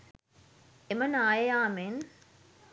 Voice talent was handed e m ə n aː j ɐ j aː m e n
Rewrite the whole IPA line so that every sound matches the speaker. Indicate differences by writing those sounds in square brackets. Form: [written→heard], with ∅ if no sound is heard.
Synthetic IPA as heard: e m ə n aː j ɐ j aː m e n